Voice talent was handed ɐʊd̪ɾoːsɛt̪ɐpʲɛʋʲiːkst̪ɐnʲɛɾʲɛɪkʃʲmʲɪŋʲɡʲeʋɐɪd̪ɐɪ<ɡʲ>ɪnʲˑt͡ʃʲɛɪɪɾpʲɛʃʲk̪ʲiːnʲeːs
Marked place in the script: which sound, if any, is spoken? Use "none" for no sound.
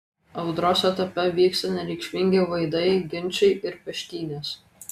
ɡʲ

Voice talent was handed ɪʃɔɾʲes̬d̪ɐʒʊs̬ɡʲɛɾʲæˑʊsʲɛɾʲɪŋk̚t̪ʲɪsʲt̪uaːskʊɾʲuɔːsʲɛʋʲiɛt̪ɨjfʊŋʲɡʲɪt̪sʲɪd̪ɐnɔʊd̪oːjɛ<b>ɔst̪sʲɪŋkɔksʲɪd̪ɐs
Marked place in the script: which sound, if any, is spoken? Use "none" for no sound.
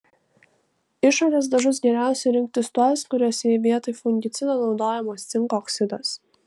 m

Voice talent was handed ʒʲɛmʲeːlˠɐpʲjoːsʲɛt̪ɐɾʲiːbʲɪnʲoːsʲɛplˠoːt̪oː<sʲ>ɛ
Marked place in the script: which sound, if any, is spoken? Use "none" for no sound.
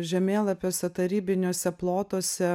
sʲ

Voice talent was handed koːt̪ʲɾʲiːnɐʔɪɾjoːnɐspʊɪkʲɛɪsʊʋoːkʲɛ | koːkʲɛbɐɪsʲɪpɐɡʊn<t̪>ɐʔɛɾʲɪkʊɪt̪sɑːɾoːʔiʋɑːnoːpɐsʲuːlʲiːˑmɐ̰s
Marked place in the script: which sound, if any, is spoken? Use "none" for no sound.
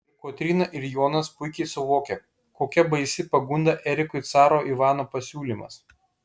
d̪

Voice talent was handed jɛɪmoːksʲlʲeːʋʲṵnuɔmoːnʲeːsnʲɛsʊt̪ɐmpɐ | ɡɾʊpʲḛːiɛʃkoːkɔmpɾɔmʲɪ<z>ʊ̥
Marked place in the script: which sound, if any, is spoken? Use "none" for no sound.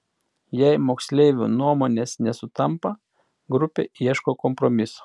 s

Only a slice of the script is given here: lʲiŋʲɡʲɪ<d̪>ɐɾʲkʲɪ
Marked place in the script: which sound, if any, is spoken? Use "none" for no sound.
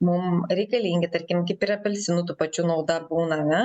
t̪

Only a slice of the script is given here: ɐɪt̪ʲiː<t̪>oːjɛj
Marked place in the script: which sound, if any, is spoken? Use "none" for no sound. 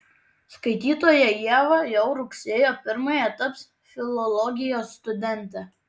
t̪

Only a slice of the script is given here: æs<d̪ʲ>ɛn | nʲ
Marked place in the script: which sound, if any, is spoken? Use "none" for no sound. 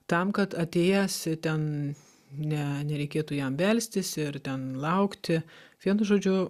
t̪ʲ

